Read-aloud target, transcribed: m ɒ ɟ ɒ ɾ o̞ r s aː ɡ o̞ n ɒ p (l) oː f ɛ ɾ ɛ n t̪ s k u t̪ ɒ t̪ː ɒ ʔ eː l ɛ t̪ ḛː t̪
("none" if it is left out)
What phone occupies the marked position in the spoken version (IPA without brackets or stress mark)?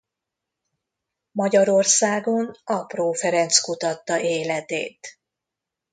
r